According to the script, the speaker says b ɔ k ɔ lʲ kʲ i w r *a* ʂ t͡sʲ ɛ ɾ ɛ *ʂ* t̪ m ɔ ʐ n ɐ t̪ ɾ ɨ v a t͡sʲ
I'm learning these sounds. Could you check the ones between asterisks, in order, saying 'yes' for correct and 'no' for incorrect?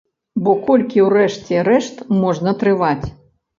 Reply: no, yes

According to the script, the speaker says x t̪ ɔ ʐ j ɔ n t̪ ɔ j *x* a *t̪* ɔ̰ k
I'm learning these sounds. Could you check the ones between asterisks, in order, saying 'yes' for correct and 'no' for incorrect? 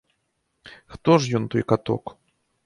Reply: no, yes

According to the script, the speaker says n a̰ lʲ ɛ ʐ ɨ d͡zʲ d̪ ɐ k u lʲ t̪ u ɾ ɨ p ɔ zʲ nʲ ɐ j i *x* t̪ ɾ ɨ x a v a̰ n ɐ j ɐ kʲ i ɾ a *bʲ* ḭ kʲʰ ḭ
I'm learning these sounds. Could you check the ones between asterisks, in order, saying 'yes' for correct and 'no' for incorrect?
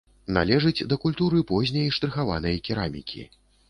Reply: no, no

